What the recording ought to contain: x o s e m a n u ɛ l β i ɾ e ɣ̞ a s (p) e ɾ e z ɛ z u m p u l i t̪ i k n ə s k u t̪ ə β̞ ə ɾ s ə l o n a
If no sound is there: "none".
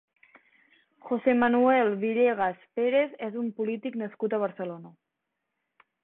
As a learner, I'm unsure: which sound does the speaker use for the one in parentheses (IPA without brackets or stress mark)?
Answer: p